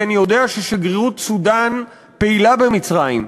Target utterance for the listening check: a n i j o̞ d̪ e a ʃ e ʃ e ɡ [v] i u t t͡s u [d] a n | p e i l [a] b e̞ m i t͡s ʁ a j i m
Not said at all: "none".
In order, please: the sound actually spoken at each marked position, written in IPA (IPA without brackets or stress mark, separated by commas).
ʁ, d, a